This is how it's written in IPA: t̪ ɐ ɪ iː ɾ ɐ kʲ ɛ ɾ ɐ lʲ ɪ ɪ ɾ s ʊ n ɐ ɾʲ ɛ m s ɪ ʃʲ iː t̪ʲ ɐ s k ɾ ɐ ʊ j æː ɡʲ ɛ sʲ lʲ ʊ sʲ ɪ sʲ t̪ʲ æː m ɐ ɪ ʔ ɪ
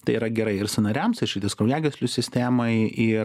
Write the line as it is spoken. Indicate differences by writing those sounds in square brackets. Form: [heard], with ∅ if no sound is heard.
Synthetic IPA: t̪ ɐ ɪ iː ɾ ɐ [ɡʲ] ɛ ɾ ɐ [∅] ɪ ɪ ɾ s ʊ n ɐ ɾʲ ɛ m s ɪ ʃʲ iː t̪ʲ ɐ s k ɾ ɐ ʊ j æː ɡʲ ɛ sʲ lʲ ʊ sʲ ɪ sʲ t̪ʲ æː m ɐ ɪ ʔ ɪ